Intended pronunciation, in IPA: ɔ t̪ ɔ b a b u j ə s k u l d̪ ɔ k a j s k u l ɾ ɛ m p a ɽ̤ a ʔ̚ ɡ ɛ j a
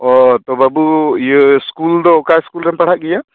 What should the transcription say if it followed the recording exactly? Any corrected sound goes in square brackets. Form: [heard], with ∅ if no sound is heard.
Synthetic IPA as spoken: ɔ t̪ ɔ b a b u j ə s k u l d̪ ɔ k a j s k u l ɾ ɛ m p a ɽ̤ a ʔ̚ ɡ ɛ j a

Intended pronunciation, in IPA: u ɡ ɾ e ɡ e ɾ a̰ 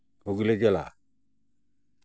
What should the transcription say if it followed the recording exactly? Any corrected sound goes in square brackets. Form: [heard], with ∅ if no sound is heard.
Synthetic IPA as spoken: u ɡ [l] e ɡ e [l] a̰

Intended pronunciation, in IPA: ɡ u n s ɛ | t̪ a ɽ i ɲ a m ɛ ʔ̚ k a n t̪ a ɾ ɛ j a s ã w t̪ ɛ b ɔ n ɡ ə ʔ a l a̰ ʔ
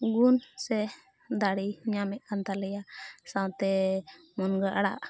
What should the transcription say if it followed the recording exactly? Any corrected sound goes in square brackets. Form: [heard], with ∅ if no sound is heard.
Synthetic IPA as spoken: ɡ u n s ɛ | [d̪] a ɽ i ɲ a m ɛ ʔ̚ k a n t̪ a [l] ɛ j a s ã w t̪ ɛ [m] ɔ n ɡ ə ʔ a [ɽ] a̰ ʔ

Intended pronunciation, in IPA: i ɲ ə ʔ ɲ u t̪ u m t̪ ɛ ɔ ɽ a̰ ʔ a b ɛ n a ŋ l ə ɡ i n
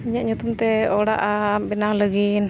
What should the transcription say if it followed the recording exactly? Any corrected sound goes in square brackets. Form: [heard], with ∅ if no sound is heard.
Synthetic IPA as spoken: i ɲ [a] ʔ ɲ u t̪ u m t̪ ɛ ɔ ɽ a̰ ʔ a b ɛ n a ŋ l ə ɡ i n

